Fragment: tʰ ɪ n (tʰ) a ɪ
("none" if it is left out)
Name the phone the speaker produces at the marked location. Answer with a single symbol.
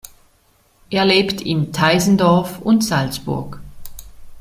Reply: tʰ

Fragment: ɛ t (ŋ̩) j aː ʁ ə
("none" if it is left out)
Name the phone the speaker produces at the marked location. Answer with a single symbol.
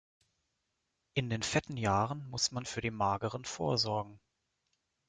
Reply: n̩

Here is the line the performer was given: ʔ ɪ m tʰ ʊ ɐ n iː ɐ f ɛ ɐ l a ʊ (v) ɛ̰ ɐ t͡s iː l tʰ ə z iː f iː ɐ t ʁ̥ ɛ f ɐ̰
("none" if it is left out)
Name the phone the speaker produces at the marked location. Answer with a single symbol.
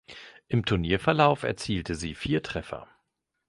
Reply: f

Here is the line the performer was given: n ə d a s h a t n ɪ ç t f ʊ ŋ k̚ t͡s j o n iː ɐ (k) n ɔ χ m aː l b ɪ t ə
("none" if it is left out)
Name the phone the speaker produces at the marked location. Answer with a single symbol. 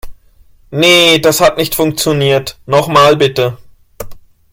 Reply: t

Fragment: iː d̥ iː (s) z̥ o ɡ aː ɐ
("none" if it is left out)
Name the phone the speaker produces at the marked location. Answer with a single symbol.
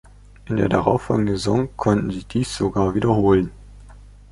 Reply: s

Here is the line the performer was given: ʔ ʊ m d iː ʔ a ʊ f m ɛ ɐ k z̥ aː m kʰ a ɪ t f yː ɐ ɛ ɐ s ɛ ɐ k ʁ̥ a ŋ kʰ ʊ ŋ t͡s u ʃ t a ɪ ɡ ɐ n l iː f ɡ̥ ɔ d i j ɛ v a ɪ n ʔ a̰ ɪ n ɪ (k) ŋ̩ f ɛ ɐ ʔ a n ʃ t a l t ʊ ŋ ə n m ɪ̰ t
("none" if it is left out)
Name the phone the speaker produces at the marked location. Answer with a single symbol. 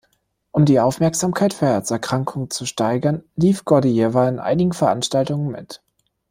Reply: ɡ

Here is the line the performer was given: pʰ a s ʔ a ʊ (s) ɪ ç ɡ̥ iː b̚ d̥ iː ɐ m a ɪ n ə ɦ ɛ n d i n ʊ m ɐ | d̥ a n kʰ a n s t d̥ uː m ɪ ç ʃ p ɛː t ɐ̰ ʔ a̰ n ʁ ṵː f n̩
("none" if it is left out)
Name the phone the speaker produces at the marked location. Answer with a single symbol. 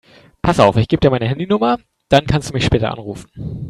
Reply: f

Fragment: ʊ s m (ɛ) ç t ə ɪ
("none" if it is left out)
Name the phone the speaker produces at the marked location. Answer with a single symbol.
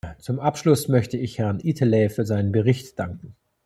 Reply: œ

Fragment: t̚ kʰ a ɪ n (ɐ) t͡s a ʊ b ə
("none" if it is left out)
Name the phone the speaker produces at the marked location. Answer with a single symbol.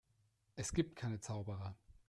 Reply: ə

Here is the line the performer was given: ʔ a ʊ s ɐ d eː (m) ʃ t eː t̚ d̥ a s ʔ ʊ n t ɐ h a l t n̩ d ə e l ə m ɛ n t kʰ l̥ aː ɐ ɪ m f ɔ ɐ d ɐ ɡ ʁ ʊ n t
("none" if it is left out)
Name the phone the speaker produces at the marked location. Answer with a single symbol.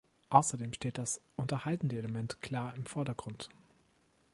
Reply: m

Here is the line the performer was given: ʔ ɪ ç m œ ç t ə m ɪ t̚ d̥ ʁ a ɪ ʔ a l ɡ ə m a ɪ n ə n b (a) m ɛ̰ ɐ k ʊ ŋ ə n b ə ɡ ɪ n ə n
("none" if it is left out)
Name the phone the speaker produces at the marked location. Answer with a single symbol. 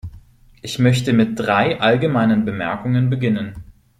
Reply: ə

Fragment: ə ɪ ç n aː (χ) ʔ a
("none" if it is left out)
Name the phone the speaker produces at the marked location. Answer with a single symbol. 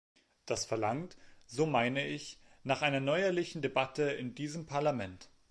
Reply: χ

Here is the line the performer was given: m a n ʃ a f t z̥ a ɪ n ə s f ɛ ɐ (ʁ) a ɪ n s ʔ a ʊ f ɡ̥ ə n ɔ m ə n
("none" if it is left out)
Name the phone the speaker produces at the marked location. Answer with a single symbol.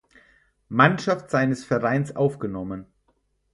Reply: ʁ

